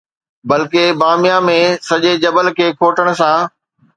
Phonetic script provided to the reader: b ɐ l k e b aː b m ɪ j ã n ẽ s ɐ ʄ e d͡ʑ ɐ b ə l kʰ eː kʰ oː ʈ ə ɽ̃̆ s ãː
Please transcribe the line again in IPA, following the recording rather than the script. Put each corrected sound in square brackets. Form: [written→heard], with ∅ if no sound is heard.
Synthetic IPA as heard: b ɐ l k e b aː [b→∅] m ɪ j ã [n→m] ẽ s ɐ ʄ e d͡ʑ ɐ b ə l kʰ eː kʰ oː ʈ ə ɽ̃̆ s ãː